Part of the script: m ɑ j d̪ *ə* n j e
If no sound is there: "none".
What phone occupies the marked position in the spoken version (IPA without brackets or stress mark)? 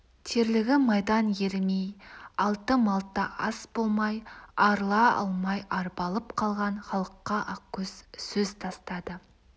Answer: ɑ